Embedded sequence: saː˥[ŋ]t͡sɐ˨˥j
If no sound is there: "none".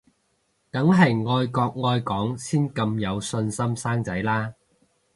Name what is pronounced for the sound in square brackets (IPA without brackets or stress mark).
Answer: ŋ